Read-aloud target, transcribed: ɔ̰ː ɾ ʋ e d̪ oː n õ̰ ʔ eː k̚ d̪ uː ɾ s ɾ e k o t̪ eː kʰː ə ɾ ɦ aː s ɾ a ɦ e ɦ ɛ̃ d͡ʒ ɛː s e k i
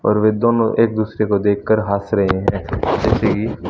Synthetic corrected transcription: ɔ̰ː ɾ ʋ e d̪ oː n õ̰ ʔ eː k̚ d̪ uː s ɾ e k o d̪ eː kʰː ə ɾ ɦ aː s ɾ ɐ ɦ e ɦ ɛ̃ d͡ʒ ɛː s e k i